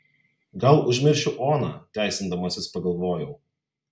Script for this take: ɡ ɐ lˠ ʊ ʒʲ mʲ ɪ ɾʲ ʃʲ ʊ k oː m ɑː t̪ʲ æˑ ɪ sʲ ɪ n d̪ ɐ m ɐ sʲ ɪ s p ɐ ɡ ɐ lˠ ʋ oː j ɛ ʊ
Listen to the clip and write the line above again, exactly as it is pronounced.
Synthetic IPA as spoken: ɡ ɐ lˠ ʊ ʒʲ mʲ ɪ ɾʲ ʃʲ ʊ ʔ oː n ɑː t̪ʲ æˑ ɪ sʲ ɪ n d̪ ɐ m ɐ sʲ ɪ s p ɐ ɡ ɐ lˠ ʋ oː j ɛ ʊ